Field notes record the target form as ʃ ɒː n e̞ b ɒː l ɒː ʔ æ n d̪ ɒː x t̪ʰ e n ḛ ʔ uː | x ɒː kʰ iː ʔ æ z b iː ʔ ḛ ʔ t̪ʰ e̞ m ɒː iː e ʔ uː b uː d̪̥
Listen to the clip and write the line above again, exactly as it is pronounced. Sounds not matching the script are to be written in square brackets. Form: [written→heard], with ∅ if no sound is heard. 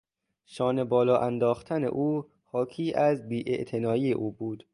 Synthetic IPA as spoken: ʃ ɒː n e̞ b ɒː l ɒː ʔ æ n d̪ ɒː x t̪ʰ [e→æ] n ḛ ʔ uː | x ɒː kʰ iː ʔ æ z b iː ʔ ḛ ʔ t̪ʰ e̞ [m→n] ɒː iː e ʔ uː b uː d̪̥